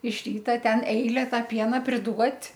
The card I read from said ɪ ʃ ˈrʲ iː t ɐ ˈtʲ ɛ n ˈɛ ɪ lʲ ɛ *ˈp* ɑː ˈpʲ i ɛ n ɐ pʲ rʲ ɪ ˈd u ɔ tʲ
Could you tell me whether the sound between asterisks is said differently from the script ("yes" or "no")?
yes